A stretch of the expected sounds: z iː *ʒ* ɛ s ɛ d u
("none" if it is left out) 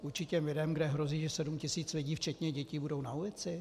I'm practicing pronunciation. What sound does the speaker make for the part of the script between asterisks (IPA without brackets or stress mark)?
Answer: ʒ